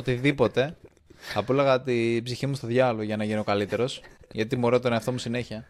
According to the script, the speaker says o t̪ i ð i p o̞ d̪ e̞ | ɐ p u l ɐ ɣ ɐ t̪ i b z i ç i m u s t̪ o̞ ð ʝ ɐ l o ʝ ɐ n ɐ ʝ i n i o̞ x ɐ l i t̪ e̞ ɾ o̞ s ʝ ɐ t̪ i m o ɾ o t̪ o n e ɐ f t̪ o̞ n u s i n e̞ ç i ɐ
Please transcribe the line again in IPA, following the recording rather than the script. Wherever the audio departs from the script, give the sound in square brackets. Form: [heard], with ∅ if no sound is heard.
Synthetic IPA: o t̪ i ð i p o̞ [t̪] e̞ | ɐ p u l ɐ ɣ ɐ t̪ i b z i ç i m u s t̪ o̞ ð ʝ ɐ l o ʝ ɐ n ɐ ʝ i n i o̞ [k] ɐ l i t̪ e̞ ɾ o̞ s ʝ ɐ t̪ i m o ɾ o t̪ o n e ɐ f t̪ o̞ [m] u s i n e̞ ç i ɐ